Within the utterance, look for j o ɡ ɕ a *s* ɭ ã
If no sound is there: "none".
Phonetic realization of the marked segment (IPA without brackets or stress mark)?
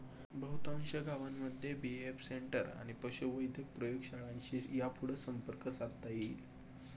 none